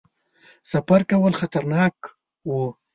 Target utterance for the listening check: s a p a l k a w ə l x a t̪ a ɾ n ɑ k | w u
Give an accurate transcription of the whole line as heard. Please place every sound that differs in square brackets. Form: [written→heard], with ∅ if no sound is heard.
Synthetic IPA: s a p a [l→ɾ] k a w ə l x a t̪ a ɾ n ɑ k | w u